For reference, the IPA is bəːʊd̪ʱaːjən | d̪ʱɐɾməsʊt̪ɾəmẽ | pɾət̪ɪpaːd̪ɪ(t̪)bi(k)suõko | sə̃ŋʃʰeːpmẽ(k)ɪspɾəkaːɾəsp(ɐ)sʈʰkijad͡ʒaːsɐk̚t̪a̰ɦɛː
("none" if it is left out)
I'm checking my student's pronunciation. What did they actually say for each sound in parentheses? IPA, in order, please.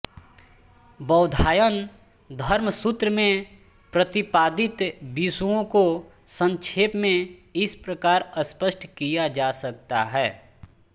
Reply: t̪, none, none, ə

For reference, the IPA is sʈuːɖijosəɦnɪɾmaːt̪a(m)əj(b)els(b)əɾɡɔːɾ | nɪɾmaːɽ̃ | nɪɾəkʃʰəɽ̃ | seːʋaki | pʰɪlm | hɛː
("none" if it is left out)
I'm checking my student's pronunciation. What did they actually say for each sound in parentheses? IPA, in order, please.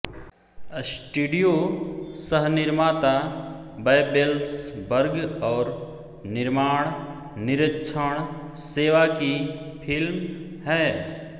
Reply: b, b, b

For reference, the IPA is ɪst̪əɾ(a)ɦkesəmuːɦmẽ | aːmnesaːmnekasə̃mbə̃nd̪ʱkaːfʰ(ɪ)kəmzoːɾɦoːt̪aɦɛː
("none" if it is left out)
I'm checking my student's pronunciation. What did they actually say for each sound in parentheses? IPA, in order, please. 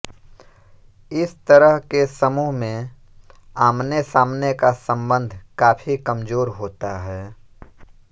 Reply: ə, i

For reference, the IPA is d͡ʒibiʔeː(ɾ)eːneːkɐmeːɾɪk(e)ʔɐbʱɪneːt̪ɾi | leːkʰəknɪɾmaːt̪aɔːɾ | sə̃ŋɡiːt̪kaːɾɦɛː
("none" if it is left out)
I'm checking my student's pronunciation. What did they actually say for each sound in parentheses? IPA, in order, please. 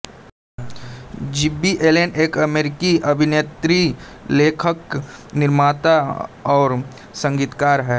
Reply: l, i

